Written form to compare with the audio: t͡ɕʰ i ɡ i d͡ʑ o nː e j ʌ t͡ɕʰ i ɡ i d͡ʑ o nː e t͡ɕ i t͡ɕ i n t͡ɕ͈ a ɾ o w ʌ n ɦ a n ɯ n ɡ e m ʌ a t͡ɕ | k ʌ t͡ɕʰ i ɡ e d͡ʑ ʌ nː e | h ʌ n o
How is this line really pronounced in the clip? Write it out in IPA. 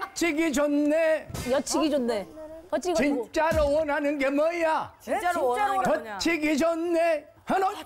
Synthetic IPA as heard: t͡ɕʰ i ɡ i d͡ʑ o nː e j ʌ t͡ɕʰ i ɡ i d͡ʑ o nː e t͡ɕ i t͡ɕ i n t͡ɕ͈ a ɾ o w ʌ n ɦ a n ɯ n ɡ e m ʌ a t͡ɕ | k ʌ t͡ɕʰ i ɡ i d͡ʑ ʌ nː e | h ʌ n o